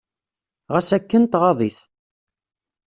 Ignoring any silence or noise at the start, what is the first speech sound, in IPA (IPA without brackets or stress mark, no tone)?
ʁ